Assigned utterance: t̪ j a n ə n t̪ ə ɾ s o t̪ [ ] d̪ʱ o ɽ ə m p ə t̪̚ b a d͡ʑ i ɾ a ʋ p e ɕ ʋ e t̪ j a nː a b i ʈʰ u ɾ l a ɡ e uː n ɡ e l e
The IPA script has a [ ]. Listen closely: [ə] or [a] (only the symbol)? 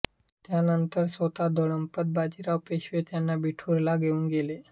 a